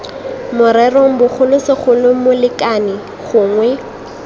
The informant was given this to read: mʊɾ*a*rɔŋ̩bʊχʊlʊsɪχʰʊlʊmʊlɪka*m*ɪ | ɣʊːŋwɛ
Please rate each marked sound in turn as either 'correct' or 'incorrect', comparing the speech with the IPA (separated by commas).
incorrect, incorrect